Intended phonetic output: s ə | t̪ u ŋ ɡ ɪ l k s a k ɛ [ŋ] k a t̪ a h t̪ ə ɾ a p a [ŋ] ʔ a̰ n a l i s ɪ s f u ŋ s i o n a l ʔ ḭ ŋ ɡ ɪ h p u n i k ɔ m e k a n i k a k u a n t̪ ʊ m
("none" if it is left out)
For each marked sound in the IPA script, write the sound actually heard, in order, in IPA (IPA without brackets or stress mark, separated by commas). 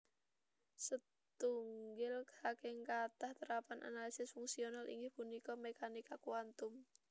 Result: ŋ, n